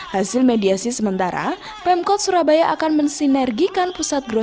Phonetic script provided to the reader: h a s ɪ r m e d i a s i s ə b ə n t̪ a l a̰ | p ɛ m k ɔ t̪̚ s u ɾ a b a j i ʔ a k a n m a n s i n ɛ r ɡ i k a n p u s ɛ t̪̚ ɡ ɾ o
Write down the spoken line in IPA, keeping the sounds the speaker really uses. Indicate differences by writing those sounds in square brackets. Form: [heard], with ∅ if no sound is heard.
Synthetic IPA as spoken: h a s ɪ [l] m e d i a s i s ə [m] ə n t̪ a [ɾ] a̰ | p ɛ m k ɔ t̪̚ s u ɾ a b a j [a] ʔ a k a n m [ə] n s i n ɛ r ɡ i k a n p u s [a] t̪̚ ɡ ɾ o